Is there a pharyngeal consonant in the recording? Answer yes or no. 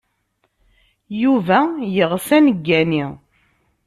no